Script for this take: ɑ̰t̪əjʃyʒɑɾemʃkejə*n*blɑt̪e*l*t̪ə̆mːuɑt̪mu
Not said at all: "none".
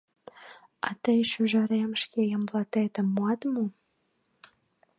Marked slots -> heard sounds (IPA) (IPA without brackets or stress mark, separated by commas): m, none